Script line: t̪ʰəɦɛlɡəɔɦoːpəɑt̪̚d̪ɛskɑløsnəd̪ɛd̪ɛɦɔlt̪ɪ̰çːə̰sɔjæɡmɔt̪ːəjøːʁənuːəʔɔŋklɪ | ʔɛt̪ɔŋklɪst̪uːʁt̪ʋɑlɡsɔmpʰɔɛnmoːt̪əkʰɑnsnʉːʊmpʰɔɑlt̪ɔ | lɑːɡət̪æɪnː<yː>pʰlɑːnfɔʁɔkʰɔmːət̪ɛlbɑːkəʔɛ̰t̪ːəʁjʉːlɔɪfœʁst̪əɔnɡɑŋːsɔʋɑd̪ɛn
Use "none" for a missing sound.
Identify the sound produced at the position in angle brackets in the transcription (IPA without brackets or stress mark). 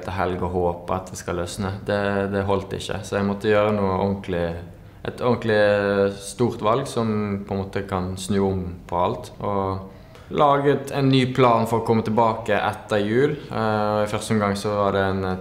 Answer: yː